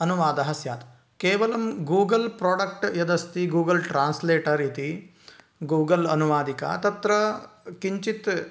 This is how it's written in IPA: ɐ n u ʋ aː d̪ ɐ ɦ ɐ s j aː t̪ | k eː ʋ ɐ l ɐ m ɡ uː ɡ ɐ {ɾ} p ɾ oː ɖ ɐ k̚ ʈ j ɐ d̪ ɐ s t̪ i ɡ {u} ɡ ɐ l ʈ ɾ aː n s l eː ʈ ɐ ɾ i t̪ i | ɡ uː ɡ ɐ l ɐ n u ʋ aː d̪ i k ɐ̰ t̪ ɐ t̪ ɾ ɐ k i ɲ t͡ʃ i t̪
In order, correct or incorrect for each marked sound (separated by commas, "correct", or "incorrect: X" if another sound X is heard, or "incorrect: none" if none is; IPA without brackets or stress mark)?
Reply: incorrect: l, incorrect: uː